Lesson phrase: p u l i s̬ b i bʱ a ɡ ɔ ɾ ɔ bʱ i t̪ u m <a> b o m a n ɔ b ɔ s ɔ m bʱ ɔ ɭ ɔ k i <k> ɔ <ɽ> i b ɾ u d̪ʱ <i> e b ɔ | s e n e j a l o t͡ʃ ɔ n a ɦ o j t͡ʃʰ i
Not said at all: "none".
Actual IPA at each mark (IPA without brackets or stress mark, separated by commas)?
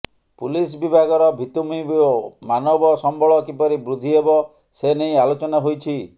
i, p, ɾ, i